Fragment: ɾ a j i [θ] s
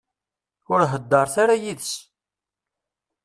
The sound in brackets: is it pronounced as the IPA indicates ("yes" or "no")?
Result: no